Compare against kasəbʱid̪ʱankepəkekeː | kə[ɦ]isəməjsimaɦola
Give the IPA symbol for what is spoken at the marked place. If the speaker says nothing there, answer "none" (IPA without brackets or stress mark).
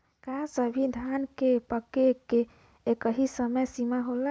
ɦ